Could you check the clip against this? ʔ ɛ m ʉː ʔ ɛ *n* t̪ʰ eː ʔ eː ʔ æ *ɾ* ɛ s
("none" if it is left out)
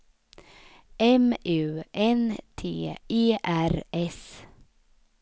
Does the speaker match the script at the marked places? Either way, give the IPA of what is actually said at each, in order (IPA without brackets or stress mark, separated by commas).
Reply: n, ɾ